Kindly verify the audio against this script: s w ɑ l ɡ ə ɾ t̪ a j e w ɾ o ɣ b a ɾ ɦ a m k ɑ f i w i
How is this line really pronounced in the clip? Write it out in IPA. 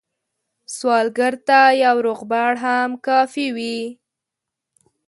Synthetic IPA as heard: s w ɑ l ɡ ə ɾ t̪ a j a w ɾ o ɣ b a ɽ ɦ a m k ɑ f i w i